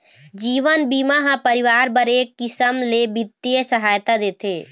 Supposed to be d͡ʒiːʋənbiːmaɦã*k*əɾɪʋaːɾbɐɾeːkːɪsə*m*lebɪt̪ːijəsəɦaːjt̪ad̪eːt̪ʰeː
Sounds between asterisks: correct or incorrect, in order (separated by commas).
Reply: incorrect, correct